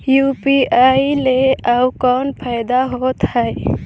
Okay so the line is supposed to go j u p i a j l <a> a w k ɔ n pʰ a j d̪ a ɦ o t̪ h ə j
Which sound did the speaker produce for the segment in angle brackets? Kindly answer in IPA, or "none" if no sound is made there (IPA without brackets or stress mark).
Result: e